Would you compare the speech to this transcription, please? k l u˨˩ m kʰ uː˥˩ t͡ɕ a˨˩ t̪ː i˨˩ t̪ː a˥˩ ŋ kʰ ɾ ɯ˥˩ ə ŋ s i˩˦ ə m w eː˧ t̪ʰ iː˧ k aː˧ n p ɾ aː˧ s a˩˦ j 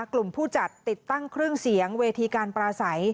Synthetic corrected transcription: k l u˨˩ m pʰ uː˥˩ t͡ɕ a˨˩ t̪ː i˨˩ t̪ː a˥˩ ŋ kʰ ɾ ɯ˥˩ ə ŋ s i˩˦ ə ŋ w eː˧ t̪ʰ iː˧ k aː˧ n p ɾ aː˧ s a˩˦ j